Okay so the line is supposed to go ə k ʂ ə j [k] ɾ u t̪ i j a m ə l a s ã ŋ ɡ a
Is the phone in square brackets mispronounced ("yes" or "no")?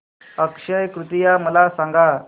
no